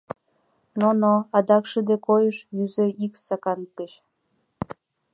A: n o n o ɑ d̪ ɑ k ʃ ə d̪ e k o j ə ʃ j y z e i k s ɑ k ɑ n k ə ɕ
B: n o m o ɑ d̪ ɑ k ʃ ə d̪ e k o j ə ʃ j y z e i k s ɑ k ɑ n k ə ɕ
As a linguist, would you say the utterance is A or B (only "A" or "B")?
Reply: A